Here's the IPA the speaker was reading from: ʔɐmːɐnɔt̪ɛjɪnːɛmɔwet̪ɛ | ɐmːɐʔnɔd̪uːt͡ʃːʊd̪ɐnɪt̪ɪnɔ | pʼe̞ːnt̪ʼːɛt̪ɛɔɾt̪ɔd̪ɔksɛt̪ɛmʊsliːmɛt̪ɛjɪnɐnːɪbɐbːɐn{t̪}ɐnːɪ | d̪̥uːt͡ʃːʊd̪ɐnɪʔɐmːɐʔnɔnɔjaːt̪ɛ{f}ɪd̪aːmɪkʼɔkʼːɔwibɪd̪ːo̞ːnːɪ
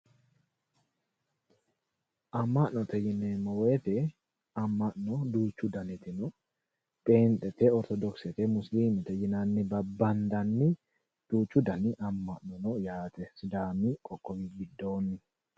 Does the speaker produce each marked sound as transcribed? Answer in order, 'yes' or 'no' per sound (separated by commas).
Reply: no, no